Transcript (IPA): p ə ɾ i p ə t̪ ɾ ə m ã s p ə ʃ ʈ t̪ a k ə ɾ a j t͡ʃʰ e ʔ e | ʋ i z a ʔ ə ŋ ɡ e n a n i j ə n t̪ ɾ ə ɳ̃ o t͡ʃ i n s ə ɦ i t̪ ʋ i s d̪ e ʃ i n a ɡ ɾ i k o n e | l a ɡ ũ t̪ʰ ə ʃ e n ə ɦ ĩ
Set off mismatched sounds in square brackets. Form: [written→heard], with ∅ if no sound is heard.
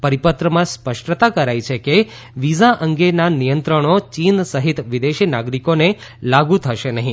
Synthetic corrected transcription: p ə ɾ i p ə t̪ ɾ ə m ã s p ə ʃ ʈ t̪ a k ə ɾ a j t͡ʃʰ e [ʔ→k] e | ʋ i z a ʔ ə ŋ ɡ e n a n i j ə n t̪ ɾ ə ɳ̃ o t͡ʃ i n s ə ɦ i t̪ ʋ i [s→∅] d̪ e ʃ i n a ɡ ɾ i k o n e | l a ɡ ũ t̪ʰ ə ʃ e n ə ɦ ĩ